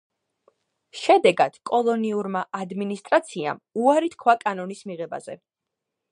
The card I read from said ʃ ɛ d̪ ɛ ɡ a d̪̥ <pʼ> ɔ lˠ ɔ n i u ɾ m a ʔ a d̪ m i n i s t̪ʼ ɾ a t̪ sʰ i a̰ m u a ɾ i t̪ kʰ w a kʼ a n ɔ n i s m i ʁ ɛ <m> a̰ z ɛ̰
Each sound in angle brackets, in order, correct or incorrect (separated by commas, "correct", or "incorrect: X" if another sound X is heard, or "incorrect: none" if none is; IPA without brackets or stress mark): incorrect: kʼ, incorrect: b